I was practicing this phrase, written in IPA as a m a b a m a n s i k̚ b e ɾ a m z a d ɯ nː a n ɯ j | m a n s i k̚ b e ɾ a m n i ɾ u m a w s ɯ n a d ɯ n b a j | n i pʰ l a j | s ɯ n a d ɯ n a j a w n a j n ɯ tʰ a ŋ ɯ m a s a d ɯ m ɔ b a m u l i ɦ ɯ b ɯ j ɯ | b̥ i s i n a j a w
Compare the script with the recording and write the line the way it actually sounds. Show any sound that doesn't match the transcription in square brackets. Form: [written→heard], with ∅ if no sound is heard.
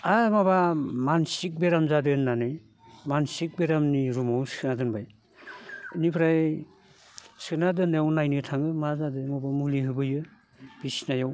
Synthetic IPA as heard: a m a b a m a n s i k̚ b e ɾ a m z a d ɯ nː a n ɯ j | m a n s i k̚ b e ɾ a m n i ɾ u m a w s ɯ n a d ɯ n b a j | n i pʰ [l→ɾ] a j | s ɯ n a d ɯ n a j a w n a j n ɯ tʰ a ŋ ɯ m a [s→z] a d ɯ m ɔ b a m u l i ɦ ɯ b ɯ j ɯ | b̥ i s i n a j a w